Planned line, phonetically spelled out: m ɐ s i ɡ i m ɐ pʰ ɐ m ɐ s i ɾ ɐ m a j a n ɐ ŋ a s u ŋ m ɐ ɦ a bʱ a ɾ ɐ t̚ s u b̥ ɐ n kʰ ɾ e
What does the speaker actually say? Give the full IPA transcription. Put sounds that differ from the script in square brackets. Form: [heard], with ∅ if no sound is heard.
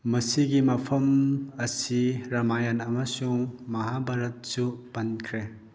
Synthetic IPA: m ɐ s i ɡ i m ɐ pʰ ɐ m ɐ s i ɾ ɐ m a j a n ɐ [m] a s u ŋ m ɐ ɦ a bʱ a ɾ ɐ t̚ s u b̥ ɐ n kʰ ɾ e